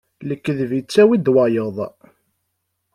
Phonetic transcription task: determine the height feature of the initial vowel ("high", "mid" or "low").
mid